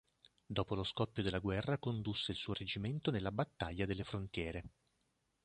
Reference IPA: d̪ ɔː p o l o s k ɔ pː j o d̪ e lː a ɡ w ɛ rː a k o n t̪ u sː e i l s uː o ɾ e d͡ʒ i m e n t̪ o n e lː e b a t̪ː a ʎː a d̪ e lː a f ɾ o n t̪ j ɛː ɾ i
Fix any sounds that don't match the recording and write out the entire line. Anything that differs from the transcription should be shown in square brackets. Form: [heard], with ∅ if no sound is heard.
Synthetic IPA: d̪ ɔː p o l o s k ɔ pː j o d̪ e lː a ɡ w ɛ rː a k o n [d̪] u sː e i l s uː o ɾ e d͡ʒ i m e n t̪ o n e lː [a] b a t̪ː a ʎː a d̪ e lː [e] f ɾ o n t̪ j ɛː ɾ [e]